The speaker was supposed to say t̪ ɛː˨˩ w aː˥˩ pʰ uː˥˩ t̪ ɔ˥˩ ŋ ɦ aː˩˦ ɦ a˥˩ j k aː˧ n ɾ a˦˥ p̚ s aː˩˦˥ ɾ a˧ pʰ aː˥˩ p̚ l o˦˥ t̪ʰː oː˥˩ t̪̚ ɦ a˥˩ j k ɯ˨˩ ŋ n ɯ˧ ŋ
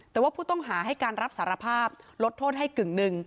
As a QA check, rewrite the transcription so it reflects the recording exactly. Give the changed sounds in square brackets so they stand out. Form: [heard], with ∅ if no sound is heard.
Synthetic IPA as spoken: t̪ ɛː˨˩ w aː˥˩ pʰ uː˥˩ t̪ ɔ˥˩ ŋ ɦ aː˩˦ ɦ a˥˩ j k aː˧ n ɾ a˦˥ p̚ s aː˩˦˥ ɾ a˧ pʰ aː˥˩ p̚ l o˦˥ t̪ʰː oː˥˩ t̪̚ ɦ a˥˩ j k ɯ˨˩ ŋ n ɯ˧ ŋ